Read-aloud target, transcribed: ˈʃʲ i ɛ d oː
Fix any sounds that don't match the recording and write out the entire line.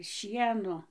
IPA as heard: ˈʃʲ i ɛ n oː